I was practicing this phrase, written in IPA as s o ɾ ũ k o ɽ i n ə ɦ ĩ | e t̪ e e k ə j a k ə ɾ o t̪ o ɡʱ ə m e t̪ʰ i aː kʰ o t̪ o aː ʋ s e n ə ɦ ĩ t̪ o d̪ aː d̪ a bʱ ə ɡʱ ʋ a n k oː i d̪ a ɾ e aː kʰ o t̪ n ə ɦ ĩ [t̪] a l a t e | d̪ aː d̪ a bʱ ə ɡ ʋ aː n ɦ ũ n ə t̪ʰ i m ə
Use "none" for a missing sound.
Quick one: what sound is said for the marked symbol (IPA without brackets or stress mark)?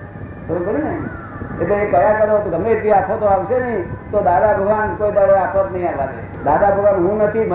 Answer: none